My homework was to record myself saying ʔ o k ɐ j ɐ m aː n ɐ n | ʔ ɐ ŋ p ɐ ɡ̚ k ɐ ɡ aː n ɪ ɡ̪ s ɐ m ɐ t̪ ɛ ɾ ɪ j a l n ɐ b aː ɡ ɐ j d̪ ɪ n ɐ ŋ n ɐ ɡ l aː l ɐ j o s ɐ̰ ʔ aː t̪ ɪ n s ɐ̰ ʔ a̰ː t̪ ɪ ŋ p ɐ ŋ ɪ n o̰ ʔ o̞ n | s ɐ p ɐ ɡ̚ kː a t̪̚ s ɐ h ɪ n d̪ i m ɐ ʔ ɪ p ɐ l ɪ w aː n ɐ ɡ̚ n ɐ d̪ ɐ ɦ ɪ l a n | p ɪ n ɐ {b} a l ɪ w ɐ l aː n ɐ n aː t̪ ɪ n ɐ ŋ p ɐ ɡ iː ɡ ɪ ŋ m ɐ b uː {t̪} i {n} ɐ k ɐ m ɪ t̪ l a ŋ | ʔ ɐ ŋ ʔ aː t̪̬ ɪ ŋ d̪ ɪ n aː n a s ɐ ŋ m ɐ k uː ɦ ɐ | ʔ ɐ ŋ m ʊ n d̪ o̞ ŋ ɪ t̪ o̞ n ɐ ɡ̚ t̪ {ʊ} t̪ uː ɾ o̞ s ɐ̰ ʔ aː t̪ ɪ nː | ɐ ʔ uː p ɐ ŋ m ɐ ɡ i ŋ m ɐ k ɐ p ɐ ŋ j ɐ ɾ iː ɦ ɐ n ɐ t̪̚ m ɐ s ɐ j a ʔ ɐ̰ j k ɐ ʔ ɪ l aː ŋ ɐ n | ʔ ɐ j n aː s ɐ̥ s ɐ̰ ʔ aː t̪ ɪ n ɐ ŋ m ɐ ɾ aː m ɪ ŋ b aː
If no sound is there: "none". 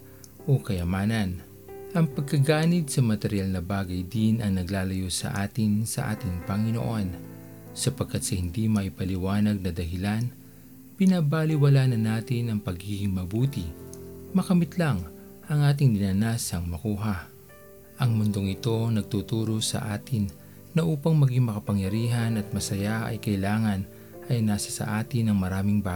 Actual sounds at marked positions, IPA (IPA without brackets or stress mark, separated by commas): b, t̪, m, u